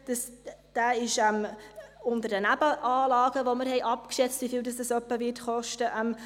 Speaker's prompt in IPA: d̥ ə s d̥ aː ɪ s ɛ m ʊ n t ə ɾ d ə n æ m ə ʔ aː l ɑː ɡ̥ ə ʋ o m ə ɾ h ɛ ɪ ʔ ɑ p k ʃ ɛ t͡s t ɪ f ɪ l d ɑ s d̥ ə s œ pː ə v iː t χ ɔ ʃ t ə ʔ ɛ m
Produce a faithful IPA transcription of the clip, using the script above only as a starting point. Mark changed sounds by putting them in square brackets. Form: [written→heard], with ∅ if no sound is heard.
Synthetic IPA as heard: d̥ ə s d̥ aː ɪ [s→ʃ] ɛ m ʊ n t ə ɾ d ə n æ [m→b] ə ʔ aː l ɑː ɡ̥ ə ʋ o m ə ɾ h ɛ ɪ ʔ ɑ p k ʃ ɛ t͡s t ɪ f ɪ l d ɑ s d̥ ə s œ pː ə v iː t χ ɔ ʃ t ə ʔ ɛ m